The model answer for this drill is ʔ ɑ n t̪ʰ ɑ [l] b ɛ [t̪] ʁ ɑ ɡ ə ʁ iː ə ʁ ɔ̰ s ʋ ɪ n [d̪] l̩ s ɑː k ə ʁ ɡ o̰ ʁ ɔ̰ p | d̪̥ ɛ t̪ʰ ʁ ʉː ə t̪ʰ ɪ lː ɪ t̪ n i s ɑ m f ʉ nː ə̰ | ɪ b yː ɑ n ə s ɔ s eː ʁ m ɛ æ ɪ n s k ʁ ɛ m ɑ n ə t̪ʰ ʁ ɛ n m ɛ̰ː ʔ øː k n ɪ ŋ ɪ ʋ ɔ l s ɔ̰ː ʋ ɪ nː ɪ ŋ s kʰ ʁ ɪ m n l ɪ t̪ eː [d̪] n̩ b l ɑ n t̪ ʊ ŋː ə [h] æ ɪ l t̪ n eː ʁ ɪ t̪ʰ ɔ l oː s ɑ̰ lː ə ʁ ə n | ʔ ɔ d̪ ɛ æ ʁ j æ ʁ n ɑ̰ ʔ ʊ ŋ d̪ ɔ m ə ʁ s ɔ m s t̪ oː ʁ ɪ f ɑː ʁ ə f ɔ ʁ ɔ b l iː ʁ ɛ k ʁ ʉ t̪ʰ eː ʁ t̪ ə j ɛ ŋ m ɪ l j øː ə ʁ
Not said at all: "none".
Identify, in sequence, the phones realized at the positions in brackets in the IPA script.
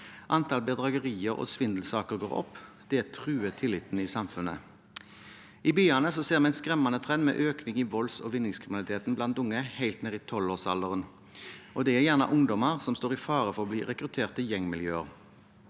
l, d̪, d̪, t̪, h

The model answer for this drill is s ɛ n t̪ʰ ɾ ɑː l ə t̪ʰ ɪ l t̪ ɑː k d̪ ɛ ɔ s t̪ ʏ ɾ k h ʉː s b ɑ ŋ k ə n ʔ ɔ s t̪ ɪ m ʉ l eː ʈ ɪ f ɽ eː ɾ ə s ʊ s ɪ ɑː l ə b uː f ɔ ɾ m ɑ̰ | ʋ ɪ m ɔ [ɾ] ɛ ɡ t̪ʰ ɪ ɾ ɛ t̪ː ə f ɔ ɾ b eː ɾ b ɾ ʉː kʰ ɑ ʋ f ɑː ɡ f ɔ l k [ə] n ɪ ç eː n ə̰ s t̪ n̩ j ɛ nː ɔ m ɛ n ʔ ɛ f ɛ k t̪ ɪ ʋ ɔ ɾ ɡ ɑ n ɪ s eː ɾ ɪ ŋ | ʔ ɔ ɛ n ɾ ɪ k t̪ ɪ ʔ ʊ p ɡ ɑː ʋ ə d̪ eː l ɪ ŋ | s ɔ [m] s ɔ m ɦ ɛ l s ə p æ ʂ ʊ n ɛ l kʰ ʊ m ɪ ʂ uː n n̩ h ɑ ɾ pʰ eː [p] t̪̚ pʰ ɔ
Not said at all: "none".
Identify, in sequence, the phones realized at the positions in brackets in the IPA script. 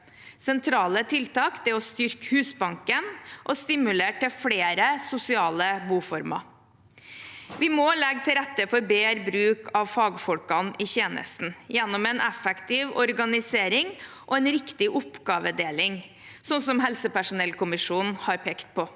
l, ɑ, n, k

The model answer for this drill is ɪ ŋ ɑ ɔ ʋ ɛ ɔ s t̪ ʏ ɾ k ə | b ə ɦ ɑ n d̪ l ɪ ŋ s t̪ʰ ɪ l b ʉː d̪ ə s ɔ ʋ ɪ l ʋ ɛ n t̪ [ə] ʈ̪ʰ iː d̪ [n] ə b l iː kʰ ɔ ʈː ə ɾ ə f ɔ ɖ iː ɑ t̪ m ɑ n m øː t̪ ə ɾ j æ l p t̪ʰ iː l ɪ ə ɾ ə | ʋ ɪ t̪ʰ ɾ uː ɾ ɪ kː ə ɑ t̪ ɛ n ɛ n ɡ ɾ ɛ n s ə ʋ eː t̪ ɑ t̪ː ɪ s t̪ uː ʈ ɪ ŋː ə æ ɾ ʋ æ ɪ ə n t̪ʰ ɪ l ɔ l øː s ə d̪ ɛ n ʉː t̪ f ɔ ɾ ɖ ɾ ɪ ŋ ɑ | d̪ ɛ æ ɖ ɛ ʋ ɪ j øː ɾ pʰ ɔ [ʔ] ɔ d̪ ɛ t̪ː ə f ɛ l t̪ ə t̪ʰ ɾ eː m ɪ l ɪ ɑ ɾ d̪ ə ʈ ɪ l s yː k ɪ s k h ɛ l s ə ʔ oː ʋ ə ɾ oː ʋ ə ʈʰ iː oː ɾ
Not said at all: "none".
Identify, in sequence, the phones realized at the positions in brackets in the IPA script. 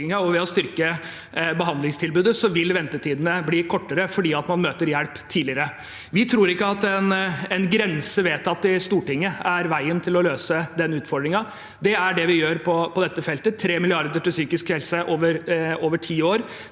ə, n, p

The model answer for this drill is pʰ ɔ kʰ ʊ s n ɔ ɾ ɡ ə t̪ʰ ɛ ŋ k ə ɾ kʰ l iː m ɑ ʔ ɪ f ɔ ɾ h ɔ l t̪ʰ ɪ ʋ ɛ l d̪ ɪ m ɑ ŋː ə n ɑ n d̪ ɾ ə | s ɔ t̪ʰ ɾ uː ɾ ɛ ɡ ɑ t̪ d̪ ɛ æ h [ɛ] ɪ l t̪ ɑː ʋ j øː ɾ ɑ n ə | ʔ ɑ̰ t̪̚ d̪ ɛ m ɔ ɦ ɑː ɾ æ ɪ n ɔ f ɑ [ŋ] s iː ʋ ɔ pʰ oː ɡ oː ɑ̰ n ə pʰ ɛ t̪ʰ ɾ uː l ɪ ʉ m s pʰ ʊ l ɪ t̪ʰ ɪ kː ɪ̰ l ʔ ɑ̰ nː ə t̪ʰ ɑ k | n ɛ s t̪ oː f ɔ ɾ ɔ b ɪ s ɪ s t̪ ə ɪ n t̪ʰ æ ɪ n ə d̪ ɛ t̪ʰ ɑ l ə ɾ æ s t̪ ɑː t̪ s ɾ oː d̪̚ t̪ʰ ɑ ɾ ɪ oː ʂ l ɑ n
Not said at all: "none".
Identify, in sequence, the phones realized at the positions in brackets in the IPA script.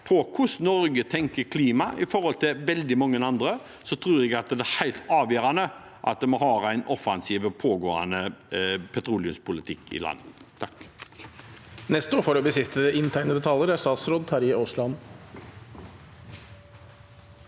æ, n

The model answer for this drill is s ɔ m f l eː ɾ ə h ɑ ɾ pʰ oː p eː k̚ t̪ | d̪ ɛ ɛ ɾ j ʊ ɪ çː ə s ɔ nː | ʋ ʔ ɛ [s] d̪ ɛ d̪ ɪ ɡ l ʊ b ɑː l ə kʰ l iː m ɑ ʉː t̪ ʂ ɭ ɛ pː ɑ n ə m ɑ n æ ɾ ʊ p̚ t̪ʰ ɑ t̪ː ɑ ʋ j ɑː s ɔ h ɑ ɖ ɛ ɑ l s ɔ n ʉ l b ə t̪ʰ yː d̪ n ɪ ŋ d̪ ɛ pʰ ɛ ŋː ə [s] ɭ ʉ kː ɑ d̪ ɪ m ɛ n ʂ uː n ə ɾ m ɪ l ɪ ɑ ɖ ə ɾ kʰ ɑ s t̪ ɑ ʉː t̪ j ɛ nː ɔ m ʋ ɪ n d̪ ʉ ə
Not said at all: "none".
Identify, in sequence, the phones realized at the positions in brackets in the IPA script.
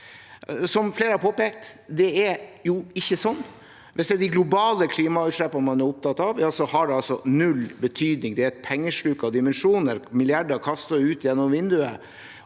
s, ʂ

